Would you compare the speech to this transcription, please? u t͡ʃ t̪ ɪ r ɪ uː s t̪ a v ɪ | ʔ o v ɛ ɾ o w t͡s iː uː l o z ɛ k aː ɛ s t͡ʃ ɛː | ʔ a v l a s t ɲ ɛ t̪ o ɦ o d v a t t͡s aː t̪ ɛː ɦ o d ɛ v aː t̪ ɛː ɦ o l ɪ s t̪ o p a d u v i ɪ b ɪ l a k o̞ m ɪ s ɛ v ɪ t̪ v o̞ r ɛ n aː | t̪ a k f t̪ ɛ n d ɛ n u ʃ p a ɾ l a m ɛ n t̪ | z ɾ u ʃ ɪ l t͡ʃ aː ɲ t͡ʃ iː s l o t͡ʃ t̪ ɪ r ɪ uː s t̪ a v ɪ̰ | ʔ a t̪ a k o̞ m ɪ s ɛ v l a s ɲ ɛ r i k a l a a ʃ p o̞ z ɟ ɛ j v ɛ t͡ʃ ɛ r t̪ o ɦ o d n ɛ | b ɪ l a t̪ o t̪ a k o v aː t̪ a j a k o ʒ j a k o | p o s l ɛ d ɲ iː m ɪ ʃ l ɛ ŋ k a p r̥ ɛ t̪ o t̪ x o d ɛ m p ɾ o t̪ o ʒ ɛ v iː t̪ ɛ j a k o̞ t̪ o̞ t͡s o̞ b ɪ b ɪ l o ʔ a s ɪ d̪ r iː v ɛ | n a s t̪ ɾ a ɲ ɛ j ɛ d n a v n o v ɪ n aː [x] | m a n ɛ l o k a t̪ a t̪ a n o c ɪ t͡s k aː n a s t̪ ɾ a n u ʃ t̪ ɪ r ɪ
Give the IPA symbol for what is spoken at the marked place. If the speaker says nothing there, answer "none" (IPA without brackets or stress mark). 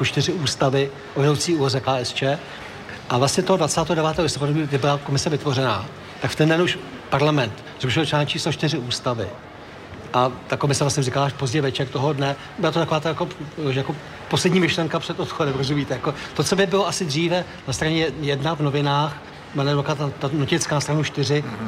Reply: x